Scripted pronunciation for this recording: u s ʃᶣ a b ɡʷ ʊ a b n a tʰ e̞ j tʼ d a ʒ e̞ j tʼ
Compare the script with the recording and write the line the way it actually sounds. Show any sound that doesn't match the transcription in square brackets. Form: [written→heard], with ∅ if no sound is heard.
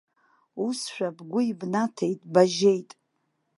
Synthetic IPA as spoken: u s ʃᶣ a b ɡʷ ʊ [a→i] b n a tʰ e̞ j tʼ [d→b] a ʒ e̞ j tʼ